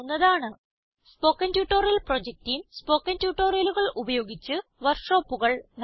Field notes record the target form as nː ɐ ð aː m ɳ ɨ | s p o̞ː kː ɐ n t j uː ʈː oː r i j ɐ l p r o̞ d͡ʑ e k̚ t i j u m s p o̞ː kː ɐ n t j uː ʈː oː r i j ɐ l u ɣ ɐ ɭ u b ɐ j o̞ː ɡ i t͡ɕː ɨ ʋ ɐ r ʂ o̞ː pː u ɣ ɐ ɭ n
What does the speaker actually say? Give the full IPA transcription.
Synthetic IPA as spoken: nː ɐ ð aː ɳ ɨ | s p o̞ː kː ɐ n t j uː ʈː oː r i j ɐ l p r o̞ d͡ʑ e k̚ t i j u m s p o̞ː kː ɐ n t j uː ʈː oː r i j ɐ l u ɣ ɐ ɭ u b ɐ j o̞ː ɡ i t͡ɕː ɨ ʋ ɐ r ʂ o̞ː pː u ɣ ɐ ɭ n